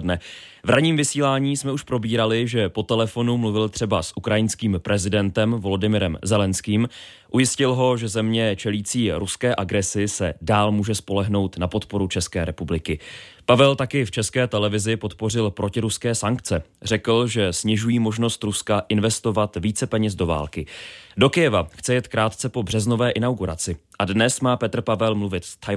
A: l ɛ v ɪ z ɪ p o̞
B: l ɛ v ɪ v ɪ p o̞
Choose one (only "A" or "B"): A